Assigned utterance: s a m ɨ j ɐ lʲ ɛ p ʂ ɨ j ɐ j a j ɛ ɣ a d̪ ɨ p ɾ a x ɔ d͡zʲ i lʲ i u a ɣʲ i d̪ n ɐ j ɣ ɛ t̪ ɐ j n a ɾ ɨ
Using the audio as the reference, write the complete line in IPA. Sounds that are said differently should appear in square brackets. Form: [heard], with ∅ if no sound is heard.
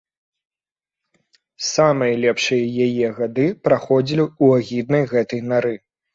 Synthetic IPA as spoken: s a m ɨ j ɐ lʲ ɛ p ʂ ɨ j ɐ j a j ɛ ɣ a d̪ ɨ p ɾ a x ɔ d͡zʲ i lʲ i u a ɣʲ i d̪ n ɐ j ɣ ɛ t̪ ɐ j n a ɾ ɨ